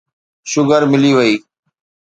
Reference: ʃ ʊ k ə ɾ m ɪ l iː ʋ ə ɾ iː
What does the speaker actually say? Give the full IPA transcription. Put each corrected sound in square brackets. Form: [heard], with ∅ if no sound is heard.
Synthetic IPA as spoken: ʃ ʊ [ɡ] ə ɾ m ɪ l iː ʋ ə [∅] iː